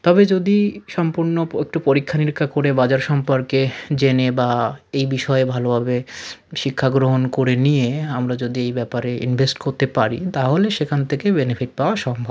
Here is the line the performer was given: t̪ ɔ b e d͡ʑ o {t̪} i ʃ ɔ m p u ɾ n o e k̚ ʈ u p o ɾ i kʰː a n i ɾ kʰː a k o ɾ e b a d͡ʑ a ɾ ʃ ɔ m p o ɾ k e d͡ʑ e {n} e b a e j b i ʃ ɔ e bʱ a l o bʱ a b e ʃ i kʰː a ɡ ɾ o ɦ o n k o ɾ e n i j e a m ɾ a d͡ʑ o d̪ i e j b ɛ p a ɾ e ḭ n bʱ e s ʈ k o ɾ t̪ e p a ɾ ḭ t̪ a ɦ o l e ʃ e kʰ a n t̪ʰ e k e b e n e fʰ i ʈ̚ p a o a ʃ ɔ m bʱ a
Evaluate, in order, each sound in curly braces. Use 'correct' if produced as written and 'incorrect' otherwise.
incorrect, correct

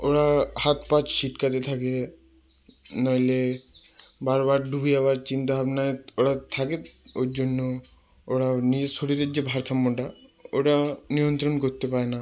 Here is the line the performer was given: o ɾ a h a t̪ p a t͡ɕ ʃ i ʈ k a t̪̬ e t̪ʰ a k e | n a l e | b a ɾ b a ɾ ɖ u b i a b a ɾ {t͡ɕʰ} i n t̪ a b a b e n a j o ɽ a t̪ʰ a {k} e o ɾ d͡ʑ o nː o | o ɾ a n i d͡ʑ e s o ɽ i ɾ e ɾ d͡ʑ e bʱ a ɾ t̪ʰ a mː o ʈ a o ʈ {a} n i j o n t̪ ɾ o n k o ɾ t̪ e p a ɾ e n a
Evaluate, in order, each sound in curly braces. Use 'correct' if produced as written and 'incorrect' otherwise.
incorrect, correct, correct

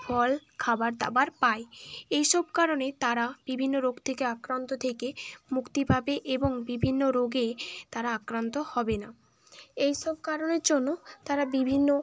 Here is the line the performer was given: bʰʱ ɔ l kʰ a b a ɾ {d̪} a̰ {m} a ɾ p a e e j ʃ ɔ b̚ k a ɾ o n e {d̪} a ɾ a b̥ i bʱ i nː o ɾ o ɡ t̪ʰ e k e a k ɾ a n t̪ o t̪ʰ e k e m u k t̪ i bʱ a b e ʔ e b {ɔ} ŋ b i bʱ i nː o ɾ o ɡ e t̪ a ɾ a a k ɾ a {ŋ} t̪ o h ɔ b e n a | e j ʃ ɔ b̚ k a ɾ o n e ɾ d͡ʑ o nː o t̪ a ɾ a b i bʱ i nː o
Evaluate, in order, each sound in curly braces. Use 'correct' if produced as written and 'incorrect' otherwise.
correct, incorrect, incorrect, incorrect, incorrect

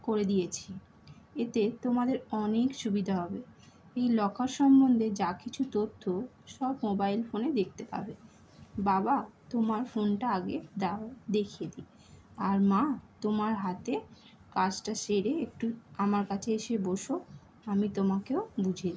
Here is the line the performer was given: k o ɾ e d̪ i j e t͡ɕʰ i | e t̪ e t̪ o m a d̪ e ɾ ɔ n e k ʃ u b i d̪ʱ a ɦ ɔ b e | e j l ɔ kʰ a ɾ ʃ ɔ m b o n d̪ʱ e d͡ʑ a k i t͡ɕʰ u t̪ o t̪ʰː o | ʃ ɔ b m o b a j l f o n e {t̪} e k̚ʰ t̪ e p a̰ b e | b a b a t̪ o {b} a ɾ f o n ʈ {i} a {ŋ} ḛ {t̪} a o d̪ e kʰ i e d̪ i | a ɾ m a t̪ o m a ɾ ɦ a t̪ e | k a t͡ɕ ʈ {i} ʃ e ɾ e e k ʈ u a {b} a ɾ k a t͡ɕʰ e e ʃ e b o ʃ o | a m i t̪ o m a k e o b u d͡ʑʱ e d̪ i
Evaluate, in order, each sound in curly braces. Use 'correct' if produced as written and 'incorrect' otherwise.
incorrect, incorrect, incorrect, incorrect, incorrect, incorrect, incorrect

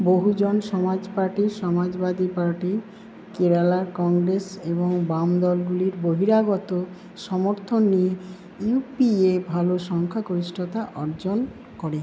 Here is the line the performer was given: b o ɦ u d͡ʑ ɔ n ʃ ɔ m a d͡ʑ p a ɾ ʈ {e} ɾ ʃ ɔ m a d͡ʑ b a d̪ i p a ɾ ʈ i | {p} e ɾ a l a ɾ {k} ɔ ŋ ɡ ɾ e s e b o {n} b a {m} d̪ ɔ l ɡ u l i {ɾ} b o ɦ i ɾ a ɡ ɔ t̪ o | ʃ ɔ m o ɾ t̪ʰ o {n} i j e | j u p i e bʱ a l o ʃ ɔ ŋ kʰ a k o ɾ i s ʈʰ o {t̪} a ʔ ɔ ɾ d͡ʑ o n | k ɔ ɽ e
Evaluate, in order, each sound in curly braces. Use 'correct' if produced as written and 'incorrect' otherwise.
incorrect, incorrect, correct, incorrect, correct, correct, incorrect, correct

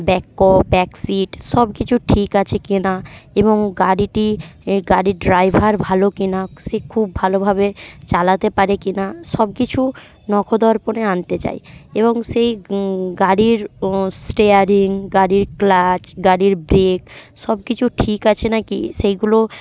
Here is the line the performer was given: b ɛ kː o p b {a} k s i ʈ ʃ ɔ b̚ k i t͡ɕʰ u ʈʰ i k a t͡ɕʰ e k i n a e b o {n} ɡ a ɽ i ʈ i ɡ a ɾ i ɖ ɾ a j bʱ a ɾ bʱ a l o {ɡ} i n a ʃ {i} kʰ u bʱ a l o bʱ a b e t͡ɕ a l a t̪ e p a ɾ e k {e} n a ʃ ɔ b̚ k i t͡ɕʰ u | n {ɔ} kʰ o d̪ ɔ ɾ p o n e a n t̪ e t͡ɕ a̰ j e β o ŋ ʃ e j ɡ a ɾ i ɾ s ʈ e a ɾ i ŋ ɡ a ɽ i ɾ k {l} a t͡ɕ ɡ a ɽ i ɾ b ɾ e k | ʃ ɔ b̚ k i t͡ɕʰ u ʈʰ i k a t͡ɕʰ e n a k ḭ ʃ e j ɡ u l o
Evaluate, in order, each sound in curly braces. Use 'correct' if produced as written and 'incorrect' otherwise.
incorrect, incorrect, incorrect, incorrect, incorrect, correct, correct

